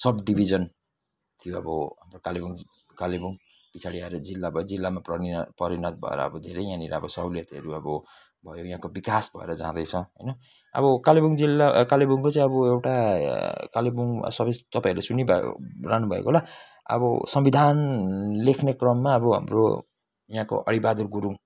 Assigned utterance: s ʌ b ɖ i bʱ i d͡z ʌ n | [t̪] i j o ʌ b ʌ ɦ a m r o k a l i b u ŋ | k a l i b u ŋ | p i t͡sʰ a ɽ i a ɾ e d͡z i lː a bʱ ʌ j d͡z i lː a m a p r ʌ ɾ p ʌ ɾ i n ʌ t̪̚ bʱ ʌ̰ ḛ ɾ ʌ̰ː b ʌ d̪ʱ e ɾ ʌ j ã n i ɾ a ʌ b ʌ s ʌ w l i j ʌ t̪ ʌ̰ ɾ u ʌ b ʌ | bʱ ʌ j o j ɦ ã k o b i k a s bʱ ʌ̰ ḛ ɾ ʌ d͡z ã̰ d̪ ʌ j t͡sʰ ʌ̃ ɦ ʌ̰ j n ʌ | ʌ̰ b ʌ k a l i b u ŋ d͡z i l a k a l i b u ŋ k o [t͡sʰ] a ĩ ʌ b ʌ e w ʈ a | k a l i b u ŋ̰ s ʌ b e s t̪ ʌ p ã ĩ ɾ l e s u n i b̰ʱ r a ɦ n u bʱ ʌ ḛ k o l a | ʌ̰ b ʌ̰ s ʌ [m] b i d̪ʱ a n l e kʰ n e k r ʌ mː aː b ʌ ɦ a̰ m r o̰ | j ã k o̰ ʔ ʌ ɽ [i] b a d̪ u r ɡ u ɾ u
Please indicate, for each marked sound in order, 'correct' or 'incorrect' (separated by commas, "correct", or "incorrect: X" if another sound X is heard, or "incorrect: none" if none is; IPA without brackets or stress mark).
incorrect: t̪ʰ, incorrect: t͡s, correct, correct